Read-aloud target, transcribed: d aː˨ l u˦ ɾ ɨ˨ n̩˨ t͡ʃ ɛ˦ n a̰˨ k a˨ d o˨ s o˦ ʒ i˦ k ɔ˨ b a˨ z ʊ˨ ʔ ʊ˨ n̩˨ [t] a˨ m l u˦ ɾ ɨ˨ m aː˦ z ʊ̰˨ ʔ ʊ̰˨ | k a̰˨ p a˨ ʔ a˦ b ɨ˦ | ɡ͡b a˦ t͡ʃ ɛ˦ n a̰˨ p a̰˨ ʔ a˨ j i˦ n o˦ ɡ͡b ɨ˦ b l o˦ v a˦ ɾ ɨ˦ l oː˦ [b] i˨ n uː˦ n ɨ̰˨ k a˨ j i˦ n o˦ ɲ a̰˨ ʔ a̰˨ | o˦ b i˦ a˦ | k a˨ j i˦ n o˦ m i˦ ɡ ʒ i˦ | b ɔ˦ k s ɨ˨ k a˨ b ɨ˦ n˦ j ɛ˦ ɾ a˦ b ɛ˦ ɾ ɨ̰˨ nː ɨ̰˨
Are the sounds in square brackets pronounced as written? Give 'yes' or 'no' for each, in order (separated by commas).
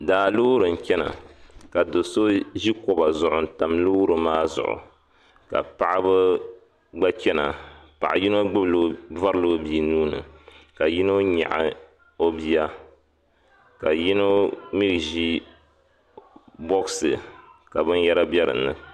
yes, yes